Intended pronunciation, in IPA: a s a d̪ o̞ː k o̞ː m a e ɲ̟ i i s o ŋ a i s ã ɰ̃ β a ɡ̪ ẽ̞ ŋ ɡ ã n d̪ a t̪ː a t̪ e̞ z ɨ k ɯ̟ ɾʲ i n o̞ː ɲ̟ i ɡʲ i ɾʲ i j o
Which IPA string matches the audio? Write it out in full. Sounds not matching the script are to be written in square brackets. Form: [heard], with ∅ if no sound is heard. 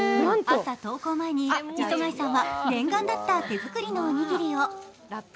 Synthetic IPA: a s a [t̪] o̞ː k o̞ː m a e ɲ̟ i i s o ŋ a i s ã ɰ̃ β a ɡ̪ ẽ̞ ŋ ɡ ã n d̪ a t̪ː a t̪ e̞ z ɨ k ɯ̟ ɾʲ i n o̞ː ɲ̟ i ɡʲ i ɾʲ i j o